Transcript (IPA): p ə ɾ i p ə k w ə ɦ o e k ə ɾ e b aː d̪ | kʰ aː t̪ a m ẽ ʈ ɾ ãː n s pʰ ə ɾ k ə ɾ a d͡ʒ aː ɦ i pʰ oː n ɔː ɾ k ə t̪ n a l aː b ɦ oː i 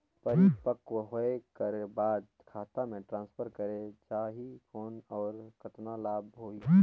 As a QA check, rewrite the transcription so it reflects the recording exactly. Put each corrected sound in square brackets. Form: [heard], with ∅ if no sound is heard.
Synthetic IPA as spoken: p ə ɾ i p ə k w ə ɦ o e k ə ɾ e b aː d̪ | kʰ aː t̪ a m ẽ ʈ ɾ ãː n s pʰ ə ɾ k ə ɾ [e] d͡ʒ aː ɦ i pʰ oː n ɔː ɾ k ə t̪ n a l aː b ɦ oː i

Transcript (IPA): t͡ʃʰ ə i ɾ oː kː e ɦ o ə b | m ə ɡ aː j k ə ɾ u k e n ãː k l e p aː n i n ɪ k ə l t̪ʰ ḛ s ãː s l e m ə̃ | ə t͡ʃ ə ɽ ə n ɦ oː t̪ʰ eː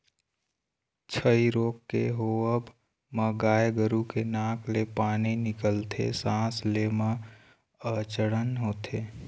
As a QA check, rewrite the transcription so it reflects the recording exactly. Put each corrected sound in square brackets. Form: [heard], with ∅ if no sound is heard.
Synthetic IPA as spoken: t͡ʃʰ ə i ɾ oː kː e ɦ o ə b | m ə ɡ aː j [ɡ] ə ɾ u k e n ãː k l e p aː n i n ɪ k ə l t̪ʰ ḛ s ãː s l e m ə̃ | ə t͡ʃ ə ɽ ə n ɦ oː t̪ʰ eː

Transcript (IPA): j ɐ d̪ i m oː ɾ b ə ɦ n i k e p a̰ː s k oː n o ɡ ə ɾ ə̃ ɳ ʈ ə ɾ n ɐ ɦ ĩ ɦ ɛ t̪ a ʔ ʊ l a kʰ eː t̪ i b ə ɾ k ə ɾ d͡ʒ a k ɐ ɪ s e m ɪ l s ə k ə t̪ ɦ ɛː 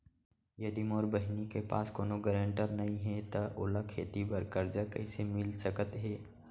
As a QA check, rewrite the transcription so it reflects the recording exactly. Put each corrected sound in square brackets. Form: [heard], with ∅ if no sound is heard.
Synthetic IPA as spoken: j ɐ d̪ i m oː ɾ b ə ɦ n i k e p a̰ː s k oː n o ɡ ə ɾ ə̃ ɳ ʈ ə ɾ n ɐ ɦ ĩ ɦ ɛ t̪ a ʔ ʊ l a kʰ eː t̪ i b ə ɾ k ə ɾ d͡ʒ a k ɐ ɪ s e m ɪ l s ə k ə t̪ ɦ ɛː

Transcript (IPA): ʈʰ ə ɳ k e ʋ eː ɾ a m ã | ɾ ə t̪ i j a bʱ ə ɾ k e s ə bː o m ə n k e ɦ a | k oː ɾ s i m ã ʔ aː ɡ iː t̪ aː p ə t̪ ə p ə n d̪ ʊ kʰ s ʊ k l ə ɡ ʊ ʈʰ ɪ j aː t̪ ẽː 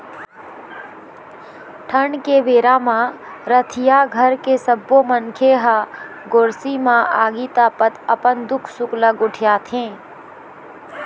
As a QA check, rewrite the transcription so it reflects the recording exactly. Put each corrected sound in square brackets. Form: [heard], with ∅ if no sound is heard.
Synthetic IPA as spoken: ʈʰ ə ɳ k e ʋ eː ɾ a m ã | ɾ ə [t̪ʰ] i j a [ɡʱ] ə ɾ k e s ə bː o m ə n [kʰ] e ɦ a | [ɡ] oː ɾ s i m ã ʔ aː ɡ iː t̪ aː p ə t̪ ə p ə n d̪ ʊ kʰ s ʊ k l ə ɡ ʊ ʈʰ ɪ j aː [t̪ʰ] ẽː

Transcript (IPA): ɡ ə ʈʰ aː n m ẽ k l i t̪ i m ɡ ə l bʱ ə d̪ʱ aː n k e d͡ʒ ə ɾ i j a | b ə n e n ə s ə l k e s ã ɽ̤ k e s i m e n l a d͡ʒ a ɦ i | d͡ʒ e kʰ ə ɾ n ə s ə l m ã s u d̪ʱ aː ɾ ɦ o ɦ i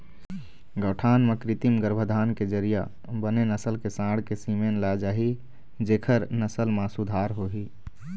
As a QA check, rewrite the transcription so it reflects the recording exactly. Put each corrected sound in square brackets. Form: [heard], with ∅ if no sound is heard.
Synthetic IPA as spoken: ɡ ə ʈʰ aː n m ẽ k [ɾ] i t̪ i m ɡ ə [ɾ] bʱ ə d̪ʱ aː n k e d͡ʒ ə ɾ i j a | b ə n e n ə s ə l k e s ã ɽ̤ k e s i m e n l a d͡ʒ a ɦ i | d͡ʒ e kʰ ə ɾ n ə s ə l m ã s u d̪ʱ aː ɾ ɦ o ɦ i

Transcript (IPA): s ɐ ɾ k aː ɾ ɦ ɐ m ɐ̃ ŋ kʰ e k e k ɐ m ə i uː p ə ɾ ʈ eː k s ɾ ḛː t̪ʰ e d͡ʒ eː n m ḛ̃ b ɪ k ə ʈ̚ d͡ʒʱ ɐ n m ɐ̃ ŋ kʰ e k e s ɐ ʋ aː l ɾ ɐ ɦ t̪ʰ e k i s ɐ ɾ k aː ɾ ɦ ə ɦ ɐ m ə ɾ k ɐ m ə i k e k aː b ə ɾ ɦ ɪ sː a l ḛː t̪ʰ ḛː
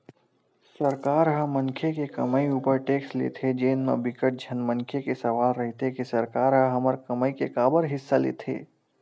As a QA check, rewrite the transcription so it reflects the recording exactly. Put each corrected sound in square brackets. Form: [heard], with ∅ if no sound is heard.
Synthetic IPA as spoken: s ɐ ɾ k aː ɾ ɦ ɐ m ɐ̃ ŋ kʰ e k e k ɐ m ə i uː p ə ɾ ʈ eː k s [l] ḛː t̪ʰ e d͡ʒ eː n m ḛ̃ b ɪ k ə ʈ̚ d͡ʒʱ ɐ n m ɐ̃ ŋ kʰ e k e s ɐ ʋ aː l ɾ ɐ ɦ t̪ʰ e k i s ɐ ɾ k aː ɾ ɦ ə ɦ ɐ m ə ɾ k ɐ m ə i k e k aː b ə ɾ ɦ ɪ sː a l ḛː t̪ʰ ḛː

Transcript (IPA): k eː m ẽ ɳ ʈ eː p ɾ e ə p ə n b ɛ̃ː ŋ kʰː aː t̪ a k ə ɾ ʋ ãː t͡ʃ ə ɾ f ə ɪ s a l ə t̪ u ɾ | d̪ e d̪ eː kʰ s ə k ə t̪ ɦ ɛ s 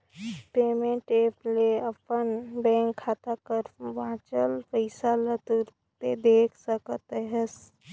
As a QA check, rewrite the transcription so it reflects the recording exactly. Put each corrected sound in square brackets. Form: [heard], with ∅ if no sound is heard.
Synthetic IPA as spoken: [p] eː m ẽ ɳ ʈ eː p [l] e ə p ə n b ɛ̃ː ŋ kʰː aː t̪ a k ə ɾ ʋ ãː t͡ʃ ə [l] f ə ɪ s a l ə t̪ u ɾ | [t̪] e d̪ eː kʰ s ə k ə t̪ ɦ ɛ s

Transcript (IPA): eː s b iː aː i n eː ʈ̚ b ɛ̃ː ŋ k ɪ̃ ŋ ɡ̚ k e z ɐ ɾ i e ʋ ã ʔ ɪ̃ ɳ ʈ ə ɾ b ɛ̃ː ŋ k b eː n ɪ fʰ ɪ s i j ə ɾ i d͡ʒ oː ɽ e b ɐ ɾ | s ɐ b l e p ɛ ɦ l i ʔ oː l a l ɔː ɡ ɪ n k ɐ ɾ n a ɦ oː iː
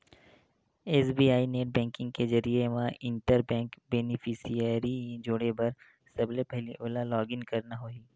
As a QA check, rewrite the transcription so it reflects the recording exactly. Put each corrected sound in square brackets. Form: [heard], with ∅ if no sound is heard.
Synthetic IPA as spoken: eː s b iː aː i n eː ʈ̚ b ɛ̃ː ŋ k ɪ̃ ŋ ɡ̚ k e z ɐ ɾ i e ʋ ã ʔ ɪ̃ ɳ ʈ ə ɾ b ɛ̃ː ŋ k b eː n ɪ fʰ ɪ s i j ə ɾ i d͡ʒ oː ɽ e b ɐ ɾ | s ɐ b l e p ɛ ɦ l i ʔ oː l a l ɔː ɡ ɪ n k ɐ ɾ n a ɦ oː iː

